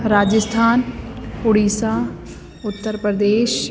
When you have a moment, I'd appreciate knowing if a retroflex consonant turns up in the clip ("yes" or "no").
yes